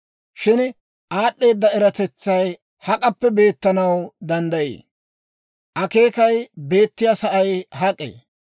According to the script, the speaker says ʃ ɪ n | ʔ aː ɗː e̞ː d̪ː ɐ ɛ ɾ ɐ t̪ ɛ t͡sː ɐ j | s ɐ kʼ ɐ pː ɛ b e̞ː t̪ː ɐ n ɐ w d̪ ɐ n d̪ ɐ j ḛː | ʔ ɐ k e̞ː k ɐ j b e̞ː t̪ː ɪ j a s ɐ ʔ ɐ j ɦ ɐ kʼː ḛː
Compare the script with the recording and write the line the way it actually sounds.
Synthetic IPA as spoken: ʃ ɪ n | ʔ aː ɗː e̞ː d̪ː ɐ ɛ ɾ ɐ t̪ ɛ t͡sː ɐ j | h ɐ kʼ ɐ pː ɛ b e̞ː t̪ː ɐ n ɐ w d̪ ɐ n d̪ ɐ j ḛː | ʔ ɐ k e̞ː k ɐ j b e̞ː t̪ː ɪ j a s ɐ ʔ ɐ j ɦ ɐ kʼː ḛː